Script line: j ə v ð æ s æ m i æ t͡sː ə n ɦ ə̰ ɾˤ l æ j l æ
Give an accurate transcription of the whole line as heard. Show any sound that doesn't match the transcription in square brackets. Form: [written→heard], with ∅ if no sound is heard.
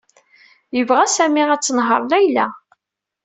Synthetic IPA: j ə v [ð→ʁ] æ s æ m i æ t͡sː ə n ɦ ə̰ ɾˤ l æ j l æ